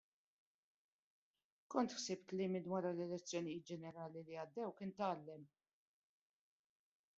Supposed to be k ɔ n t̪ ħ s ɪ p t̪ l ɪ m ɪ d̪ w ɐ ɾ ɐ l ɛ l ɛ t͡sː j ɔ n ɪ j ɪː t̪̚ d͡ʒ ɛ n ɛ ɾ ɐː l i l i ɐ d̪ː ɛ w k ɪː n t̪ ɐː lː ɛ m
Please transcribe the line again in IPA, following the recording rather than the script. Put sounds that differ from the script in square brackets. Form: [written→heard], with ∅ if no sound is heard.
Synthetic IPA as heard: k ɔ n t̪ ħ s ɪ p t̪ l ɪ m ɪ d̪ w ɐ ɾ ɐ l ɛ l ɛ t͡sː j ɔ n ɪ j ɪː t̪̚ d͡ʒ ɛ n ɛ ɾ ɐː l i l i ɐ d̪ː ɛ w k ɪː n t̪ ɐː lː ɛ m